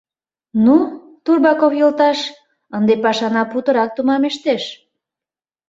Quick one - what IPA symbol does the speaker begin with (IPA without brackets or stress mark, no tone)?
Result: n